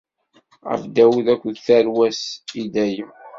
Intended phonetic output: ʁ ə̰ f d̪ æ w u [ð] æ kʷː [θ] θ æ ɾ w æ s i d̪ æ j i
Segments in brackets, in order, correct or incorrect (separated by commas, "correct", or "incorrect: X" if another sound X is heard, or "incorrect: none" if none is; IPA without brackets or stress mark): correct, incorrect: ð